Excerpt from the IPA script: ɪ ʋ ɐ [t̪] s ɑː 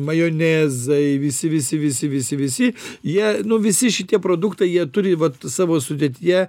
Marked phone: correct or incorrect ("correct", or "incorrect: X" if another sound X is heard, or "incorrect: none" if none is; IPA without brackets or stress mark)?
correct